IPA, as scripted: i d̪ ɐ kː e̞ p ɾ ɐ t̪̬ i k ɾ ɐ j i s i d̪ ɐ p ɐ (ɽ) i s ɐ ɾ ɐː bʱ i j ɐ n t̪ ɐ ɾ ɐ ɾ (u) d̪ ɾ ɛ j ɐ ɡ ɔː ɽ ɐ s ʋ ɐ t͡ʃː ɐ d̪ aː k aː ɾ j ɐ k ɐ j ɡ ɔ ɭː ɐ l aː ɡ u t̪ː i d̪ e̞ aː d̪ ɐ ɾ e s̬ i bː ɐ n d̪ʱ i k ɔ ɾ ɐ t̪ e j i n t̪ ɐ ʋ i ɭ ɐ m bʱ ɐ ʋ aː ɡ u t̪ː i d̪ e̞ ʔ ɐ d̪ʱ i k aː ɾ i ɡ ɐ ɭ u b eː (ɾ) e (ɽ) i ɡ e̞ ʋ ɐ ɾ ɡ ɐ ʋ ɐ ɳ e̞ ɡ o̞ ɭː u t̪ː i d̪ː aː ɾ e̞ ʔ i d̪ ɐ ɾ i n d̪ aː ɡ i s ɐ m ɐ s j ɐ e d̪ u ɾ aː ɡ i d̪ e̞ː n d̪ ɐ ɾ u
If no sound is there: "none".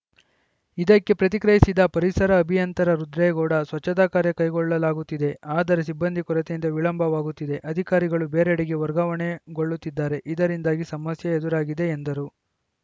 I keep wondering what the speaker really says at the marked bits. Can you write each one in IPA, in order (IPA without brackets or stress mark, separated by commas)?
ɾ, u, ɾ, ɽ